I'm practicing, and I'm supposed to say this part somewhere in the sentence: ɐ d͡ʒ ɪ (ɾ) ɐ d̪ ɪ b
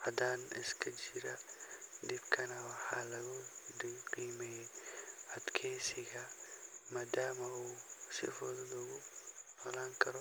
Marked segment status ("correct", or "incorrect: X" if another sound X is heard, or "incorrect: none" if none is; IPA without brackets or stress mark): correct